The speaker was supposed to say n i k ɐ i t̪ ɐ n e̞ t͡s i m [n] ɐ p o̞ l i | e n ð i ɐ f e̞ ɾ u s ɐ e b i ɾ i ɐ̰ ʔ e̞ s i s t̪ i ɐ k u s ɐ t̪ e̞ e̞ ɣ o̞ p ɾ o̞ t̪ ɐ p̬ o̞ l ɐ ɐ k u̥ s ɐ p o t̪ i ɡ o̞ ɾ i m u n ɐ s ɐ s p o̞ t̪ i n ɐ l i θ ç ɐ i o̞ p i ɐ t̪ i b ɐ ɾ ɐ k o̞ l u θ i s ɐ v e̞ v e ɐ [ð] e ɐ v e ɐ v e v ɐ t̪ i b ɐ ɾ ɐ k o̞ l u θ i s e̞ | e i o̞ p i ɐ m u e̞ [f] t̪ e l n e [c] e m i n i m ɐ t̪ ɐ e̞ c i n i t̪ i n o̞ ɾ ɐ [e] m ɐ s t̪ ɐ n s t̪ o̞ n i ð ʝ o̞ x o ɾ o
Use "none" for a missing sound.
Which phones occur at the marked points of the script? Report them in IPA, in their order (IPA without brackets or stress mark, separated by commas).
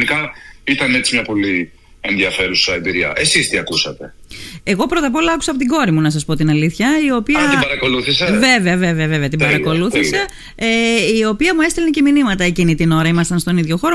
ɲ, v, s, c, i